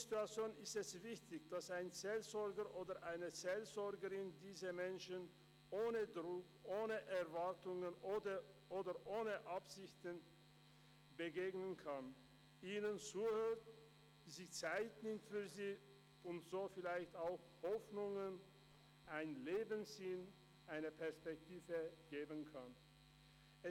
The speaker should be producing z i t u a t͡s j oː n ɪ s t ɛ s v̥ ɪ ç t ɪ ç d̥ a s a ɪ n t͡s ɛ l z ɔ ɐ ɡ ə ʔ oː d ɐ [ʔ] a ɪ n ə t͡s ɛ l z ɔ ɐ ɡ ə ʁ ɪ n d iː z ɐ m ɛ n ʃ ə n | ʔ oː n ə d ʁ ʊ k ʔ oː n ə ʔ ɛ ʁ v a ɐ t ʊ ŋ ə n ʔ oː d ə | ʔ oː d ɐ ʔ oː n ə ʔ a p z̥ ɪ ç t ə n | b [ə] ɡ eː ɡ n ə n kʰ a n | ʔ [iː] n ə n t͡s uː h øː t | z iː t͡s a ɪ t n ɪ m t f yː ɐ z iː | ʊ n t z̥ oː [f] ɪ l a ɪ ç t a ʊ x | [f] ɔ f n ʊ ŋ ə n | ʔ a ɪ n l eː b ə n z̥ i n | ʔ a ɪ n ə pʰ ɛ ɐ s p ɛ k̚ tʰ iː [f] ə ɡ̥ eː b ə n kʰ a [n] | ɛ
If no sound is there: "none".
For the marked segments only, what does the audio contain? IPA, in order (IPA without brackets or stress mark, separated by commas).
ʔ, ə, iː, f, h, v, n